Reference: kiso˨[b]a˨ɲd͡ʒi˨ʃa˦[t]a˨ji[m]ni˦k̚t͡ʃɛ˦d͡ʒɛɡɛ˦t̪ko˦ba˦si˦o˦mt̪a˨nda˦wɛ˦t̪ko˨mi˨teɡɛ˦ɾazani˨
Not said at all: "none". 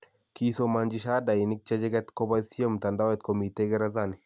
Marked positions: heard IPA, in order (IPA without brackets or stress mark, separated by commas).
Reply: m, d, none